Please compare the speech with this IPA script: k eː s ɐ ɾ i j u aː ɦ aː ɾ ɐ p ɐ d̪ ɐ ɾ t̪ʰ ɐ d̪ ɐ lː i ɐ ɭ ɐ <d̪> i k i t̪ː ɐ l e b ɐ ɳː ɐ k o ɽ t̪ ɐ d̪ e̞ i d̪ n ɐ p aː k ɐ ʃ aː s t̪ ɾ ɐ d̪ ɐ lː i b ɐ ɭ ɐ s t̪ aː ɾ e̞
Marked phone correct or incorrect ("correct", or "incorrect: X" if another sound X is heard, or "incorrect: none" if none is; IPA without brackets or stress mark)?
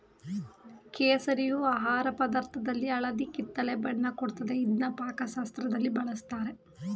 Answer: correct